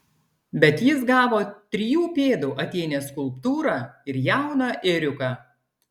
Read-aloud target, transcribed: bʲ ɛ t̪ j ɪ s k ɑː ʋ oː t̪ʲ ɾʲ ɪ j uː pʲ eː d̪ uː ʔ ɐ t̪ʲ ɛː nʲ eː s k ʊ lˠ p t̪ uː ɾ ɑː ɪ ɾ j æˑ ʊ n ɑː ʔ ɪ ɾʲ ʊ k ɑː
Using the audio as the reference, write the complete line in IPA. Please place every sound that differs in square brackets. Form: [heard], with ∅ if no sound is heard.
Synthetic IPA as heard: bʲ ɛ t̪ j ɪ s [ɡ] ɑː ʋ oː t̪ʲ ɾʲ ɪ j uː pʲ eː d̪ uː ʔ ɐ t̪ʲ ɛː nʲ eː s k ʊ lˠ p t̪ uː ɾ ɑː ɪ ɾ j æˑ ʊ n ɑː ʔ ɪ ɾʲ ʊ k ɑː